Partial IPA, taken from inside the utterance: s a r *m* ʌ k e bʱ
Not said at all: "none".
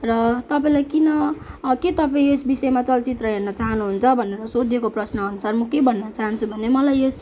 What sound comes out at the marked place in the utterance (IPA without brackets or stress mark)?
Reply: m